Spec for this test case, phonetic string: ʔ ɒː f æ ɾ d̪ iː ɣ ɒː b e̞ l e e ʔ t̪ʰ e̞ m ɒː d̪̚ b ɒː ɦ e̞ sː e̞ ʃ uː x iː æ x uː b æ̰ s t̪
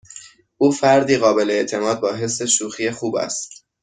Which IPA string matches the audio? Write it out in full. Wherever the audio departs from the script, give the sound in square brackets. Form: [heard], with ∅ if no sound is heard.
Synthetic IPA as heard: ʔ [uː] f æ ɾ d̪ iː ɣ ɒː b e̞ l e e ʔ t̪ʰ e̞ m ɒː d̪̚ b ɒː ɦ e̞ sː e̞ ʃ uː x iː [e] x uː b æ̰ s t̪